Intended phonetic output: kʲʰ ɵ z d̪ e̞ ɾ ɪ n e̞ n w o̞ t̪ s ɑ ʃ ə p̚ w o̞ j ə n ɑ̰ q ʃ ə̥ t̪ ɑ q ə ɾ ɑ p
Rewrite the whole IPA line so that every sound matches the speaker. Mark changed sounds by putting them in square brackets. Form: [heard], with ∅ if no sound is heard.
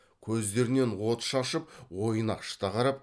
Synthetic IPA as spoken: kʲʰ ɵ z d̪ e̞ ɾ ɪ n e̞ n w o̞ t̪ [ʃ] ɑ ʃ ə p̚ w o̞ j ə n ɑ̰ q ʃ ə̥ t̪ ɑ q [ɑ] ɾ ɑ p